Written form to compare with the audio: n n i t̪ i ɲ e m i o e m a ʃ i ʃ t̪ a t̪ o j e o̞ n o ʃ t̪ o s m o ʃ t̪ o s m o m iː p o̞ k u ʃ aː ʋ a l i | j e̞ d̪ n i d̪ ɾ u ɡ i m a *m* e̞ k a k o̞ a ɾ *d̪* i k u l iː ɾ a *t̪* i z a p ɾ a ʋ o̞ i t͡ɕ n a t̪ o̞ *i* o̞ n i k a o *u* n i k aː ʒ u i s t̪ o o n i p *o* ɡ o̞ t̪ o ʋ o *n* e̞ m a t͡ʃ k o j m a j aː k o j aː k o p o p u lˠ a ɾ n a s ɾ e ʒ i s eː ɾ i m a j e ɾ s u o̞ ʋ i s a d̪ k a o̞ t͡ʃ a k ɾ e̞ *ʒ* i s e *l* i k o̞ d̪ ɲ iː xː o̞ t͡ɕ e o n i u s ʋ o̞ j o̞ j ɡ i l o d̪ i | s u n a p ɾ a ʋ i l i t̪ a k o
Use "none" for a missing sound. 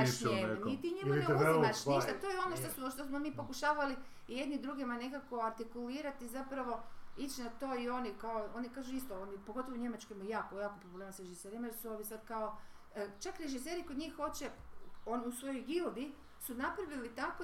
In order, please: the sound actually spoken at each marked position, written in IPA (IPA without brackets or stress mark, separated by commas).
n, t̪, t̪, i, o, o, ɲ, ʒ, ɾ